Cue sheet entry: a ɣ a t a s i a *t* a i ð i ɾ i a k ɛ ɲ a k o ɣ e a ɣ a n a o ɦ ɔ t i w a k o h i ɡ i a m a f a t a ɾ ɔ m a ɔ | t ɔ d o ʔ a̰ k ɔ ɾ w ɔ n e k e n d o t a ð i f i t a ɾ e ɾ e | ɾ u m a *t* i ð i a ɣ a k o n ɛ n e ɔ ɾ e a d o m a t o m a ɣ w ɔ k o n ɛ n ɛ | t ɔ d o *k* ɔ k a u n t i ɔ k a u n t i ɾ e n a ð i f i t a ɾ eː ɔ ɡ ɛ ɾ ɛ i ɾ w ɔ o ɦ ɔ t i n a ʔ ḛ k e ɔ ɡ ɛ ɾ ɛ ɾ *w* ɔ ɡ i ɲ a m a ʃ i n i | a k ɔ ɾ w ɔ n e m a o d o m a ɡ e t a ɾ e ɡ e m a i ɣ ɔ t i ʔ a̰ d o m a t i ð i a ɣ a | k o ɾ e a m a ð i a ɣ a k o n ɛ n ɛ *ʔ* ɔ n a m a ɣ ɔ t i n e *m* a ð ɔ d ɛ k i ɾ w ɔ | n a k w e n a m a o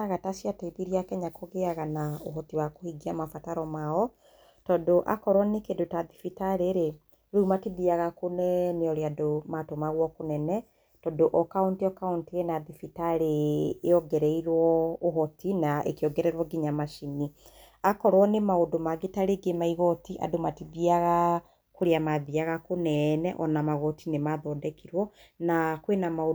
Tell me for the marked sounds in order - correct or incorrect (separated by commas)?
correct, correct, incorrect, correct, correct, correct